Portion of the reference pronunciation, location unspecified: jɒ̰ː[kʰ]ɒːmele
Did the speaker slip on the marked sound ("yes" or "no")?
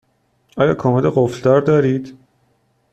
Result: no